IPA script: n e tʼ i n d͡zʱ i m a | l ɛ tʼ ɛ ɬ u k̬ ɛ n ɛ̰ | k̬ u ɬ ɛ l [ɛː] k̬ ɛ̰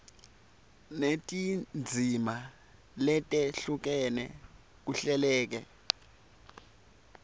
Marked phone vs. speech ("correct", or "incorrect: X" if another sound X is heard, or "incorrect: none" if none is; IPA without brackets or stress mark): correct